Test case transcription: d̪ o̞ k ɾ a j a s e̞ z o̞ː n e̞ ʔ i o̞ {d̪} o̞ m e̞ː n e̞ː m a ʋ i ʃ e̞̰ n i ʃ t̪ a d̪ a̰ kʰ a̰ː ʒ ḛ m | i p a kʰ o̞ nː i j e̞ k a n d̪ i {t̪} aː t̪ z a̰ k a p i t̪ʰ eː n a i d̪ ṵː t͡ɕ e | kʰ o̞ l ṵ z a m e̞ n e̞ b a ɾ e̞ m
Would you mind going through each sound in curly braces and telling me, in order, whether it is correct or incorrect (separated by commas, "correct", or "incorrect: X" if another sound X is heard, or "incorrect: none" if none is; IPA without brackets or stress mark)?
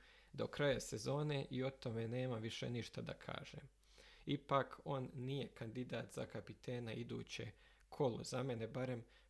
incorrect: t̪, incorrect: d̪